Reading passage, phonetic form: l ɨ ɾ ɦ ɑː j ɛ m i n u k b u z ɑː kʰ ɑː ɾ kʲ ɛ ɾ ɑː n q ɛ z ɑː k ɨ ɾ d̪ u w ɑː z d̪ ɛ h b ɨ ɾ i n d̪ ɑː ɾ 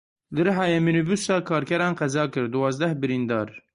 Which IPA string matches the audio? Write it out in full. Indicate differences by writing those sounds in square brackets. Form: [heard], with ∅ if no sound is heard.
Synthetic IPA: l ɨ ɾ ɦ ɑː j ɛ m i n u [∅] b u [s] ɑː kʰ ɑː ɾ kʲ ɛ ɾ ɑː n q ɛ z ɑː k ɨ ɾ d̪ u w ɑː z d̪ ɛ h b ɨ ɾ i n d̪ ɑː ɾ